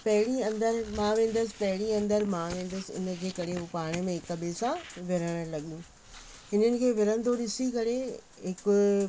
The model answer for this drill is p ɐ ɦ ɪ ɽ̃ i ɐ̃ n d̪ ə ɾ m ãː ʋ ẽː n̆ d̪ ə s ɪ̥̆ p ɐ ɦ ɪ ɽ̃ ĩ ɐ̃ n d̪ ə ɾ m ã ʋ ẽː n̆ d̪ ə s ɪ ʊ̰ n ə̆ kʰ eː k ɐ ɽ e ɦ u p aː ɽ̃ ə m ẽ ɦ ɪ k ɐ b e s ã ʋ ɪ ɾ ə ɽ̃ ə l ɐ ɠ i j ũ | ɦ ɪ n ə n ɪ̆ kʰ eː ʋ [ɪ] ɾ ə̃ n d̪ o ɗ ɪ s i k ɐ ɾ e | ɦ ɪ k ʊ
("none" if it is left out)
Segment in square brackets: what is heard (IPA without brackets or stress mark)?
ɪ